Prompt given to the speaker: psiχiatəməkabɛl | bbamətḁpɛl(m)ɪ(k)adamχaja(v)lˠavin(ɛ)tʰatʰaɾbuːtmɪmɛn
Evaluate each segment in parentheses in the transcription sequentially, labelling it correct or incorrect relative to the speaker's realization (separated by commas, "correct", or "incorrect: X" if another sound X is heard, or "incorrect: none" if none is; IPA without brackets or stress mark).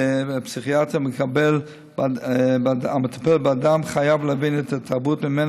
incorrect: b, incorrect: none, correct, correct